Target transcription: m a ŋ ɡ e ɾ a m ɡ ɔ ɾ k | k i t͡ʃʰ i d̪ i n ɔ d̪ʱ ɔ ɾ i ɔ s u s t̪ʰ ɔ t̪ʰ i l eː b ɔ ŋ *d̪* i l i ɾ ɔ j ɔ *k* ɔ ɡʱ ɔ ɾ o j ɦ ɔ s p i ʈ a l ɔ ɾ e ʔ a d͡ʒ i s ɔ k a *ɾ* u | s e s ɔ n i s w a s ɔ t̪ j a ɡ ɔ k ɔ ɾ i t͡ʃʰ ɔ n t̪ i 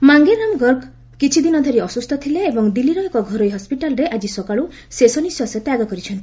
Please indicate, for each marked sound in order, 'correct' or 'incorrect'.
correct, correct, incorrect: ɭ

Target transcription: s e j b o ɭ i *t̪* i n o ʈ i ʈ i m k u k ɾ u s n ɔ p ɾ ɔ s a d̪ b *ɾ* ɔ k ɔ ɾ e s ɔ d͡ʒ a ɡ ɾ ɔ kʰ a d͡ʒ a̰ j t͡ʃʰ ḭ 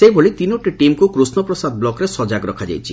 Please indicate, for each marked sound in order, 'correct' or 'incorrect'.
correct, incorrect: l

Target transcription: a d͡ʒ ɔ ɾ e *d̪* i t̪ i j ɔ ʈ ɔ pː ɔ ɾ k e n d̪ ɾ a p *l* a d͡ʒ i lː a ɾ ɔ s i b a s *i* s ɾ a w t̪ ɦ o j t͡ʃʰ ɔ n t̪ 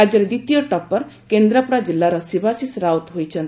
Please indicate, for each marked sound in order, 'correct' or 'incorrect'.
correct, incorrect: ɾ, correct

